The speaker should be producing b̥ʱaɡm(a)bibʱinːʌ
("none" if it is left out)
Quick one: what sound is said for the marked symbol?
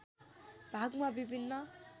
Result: a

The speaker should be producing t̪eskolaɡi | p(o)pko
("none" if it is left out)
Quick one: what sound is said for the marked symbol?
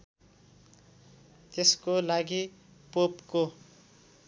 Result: o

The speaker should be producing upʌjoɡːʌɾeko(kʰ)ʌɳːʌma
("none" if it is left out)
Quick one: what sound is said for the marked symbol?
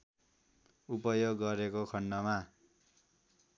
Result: kʰ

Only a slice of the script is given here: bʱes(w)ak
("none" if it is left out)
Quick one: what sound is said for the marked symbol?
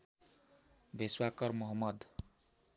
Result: w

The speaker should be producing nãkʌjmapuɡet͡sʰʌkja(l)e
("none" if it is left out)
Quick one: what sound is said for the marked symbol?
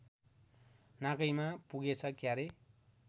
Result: ɾ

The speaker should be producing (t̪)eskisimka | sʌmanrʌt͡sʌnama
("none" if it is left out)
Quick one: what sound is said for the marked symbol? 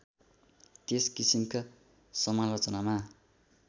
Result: t̪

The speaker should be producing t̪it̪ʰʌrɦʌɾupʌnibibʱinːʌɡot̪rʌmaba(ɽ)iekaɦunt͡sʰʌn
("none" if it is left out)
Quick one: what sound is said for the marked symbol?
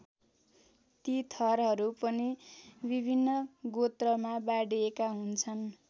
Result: ɽ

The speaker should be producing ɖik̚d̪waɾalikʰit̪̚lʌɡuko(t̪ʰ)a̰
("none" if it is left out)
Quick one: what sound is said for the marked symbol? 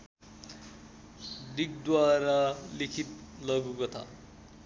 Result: t̪ʰ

